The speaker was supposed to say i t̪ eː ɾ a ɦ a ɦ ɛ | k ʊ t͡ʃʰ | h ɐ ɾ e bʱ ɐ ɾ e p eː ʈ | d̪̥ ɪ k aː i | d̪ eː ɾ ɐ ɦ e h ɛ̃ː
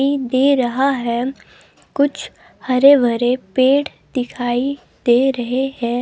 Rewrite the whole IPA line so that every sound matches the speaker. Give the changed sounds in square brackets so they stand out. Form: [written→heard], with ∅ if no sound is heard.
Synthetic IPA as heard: i [t̪→d̪] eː ɾ [a→ɐ] ɦ a ɦ ɛ | k ʊ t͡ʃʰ | h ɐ ɾ e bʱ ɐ ɾ e p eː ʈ | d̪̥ ɪ [k→kʰ] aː i | d̪ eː ɾ ɐ ɦ e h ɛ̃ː